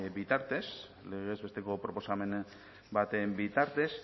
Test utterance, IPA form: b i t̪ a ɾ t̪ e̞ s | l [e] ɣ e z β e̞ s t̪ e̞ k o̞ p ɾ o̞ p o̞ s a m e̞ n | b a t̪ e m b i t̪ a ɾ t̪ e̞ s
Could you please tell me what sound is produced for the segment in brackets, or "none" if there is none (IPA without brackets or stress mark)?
e